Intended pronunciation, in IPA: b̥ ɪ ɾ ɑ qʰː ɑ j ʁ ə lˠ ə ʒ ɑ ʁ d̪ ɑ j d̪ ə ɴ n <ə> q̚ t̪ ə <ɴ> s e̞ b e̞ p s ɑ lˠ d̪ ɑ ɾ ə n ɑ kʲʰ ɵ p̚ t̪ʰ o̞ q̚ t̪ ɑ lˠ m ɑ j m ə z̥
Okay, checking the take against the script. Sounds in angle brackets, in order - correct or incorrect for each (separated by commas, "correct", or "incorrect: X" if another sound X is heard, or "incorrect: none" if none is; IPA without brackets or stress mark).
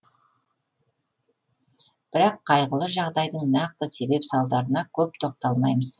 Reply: incorrect: ɑ, incorrect: none